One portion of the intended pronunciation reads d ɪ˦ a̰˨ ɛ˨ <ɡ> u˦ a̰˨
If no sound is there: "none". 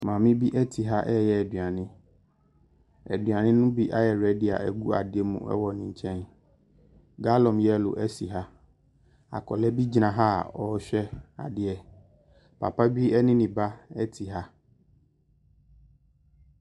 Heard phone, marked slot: ɡ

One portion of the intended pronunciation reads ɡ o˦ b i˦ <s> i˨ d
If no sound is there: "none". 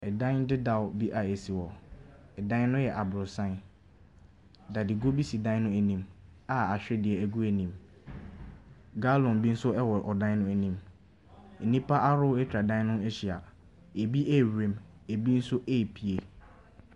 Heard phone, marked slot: s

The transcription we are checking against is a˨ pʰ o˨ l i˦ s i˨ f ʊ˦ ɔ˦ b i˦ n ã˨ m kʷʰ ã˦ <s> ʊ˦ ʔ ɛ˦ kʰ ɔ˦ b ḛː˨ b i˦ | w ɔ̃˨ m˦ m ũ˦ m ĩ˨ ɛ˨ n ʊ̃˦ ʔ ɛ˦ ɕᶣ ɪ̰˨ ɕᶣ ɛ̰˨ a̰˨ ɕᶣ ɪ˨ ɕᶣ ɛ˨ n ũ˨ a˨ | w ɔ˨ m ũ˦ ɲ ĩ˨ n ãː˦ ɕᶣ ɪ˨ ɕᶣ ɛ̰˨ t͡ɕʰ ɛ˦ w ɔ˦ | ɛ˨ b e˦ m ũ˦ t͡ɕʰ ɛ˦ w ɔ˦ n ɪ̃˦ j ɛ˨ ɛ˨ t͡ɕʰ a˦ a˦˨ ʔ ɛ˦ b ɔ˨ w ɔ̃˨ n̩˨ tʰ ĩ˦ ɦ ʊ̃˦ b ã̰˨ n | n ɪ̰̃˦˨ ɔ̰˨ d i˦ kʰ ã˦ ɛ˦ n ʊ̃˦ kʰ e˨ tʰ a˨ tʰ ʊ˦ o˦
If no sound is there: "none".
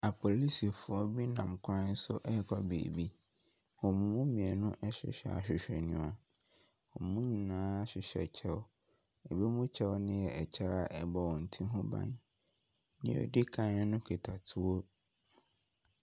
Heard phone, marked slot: s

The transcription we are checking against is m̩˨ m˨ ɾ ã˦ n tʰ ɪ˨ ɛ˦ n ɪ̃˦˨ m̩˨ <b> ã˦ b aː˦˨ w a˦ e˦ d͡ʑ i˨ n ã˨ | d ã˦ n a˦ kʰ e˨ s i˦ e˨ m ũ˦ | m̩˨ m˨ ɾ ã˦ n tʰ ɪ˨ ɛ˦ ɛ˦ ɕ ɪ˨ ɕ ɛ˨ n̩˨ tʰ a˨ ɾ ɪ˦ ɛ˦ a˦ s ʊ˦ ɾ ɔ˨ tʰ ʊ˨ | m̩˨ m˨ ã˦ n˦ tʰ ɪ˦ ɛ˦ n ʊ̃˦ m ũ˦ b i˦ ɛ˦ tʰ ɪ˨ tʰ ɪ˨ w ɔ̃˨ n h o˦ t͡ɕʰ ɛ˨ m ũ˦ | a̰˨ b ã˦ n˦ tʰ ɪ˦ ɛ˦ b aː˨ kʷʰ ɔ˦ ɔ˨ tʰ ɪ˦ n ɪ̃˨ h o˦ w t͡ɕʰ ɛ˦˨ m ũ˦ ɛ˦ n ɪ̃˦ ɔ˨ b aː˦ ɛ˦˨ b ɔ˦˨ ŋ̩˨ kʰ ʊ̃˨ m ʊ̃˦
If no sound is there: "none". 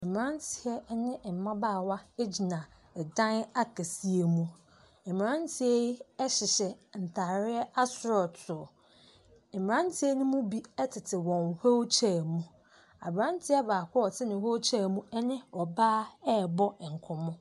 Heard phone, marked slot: m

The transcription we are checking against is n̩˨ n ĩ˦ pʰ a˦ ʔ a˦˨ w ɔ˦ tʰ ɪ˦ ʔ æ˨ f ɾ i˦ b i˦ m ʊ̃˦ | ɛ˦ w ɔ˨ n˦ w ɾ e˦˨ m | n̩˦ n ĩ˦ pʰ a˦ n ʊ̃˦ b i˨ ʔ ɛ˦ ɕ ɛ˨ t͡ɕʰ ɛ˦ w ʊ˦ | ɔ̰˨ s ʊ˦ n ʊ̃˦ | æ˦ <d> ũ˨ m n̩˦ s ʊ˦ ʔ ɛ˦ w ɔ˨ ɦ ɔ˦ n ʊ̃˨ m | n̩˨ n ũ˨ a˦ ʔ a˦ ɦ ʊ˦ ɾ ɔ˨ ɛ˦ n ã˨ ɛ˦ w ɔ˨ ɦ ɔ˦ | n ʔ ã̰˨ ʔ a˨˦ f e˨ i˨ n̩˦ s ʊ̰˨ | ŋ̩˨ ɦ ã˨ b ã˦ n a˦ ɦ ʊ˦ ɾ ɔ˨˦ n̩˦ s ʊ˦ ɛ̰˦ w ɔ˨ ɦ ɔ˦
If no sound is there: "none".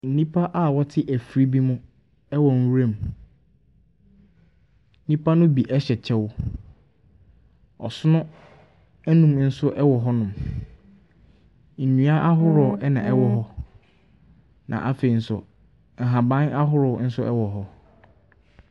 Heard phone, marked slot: n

